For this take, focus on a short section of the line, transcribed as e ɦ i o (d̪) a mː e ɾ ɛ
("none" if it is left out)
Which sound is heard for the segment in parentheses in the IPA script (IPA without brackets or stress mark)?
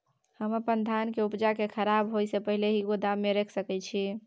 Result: d̪